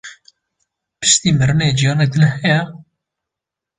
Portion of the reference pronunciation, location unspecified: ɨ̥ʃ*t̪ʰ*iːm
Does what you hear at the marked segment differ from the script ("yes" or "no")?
yes